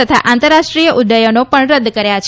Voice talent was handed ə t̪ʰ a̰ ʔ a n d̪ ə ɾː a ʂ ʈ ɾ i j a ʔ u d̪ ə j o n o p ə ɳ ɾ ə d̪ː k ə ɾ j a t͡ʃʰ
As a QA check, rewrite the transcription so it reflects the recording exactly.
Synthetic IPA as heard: ə t̪ʰ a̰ ʔ a n t̪ ə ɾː a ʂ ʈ ɾ i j ə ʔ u d̪ ə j o n o p ə ɳ ɾ ə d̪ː k ə ɾ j a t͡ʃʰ